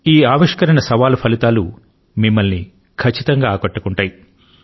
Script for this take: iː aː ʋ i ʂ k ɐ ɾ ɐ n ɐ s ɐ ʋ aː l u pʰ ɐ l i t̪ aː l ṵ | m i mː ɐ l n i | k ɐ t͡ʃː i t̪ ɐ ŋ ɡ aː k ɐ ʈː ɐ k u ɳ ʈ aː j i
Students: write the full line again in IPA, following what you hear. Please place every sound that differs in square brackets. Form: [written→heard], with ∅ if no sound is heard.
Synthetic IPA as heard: iː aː ʋ i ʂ k ɐ ɾ ɐ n ɐ s ɐ ʋ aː l u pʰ ɐ l i t̪ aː l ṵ | m i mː ɐ l n i | [k→kʰ] ɐ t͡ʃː i t̪ ɐ ŋ ɡ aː k ɐ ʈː ɐ k u ɳ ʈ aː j i

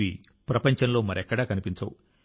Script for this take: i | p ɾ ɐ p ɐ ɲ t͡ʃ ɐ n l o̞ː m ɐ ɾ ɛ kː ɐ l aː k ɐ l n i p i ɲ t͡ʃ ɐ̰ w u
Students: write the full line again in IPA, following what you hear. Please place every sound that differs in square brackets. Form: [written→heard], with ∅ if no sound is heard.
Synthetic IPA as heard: i | p ɾ ɐ p ɐ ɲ t͡ʃ ɐ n l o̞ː m ɐ ɾ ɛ kː ɐ [l→ɽ] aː k ɐ [l→∅] n i p i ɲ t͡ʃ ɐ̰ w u

